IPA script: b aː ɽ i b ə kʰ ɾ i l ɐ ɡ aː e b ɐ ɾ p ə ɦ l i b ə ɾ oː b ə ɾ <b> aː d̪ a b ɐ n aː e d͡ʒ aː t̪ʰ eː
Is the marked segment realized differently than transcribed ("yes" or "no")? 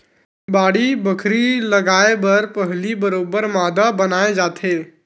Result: yes